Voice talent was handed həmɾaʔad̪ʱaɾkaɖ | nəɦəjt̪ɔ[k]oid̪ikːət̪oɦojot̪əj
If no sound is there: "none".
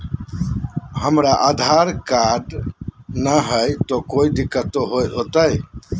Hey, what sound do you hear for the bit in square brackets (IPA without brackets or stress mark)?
k